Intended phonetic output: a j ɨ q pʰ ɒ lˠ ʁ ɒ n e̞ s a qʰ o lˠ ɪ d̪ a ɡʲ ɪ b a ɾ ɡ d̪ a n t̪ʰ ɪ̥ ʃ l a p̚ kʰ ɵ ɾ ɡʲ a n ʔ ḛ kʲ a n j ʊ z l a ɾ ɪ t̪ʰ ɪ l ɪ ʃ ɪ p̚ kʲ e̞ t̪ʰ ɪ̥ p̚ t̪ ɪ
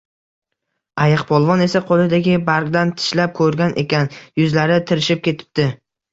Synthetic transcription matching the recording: a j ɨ q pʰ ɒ lˠ v ɒ n e̞ s a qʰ o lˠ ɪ d̪ a ɡʲ ɪ b a ɾ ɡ d̪ a n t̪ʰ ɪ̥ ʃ l a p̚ kʰ ɵ ɾ ɡʲ a n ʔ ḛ kʲ a n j ʊ z l a ɾ ɪ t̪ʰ ɪ ɾ ɪ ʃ ɪ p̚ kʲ e̞ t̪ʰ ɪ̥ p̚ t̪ ɪ